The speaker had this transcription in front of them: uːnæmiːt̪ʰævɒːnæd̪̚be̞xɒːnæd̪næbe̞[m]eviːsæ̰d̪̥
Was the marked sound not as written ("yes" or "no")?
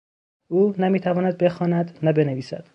yes